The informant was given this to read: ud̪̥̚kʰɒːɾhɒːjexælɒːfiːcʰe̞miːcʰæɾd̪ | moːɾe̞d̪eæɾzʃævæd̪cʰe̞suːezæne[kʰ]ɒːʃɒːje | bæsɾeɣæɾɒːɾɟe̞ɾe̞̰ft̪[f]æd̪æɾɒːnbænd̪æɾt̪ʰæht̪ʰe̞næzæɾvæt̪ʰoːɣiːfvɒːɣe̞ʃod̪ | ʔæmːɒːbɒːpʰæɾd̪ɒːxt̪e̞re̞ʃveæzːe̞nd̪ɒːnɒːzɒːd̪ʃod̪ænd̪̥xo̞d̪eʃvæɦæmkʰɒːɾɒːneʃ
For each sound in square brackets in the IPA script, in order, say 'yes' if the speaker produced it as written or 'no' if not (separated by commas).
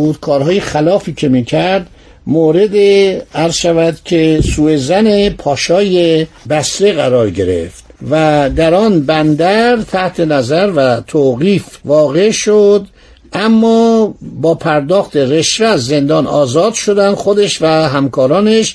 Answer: no, no